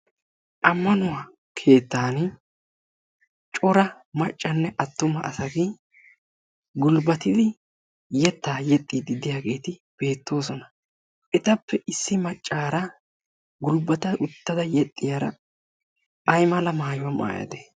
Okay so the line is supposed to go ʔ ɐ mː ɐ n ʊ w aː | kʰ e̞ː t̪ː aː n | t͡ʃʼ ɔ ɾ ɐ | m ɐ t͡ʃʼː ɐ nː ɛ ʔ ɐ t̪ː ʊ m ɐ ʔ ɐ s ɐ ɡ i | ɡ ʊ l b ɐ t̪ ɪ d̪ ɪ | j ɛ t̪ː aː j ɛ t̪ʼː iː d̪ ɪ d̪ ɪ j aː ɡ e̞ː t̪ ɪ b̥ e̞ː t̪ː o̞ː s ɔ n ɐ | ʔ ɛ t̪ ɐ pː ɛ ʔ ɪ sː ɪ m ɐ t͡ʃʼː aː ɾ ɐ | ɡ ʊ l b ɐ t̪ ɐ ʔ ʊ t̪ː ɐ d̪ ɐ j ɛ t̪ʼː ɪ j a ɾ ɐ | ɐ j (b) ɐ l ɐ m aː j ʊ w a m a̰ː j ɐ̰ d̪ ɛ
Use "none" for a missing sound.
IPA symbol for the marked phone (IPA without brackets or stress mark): m